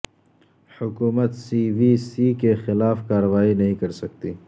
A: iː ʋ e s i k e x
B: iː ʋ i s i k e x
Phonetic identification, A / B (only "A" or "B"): B